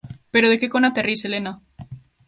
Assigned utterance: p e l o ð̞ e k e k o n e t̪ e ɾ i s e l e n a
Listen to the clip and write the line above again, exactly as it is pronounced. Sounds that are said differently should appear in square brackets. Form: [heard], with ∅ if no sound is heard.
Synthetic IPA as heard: p e [ɾ] o ð̞ e k e k o n [a] t̪ e [r] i s e l e n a